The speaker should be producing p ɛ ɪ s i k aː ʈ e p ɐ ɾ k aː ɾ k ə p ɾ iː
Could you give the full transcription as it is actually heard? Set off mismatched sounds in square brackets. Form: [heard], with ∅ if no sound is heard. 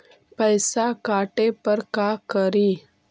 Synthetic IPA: p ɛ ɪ s [a] k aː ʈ e p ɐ ɾ k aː [∅] k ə [∅] ɾ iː